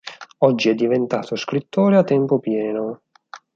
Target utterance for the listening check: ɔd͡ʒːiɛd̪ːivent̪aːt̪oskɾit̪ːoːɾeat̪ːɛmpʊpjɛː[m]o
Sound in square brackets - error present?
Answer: yes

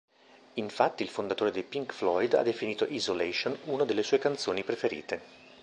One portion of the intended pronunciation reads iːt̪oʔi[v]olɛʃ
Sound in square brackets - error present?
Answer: yes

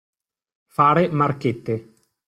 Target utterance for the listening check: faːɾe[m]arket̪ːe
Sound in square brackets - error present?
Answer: no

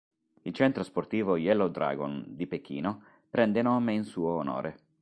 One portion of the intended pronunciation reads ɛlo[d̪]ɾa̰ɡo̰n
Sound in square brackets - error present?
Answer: no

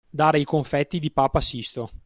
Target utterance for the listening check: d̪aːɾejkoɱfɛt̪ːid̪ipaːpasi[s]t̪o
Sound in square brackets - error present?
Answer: no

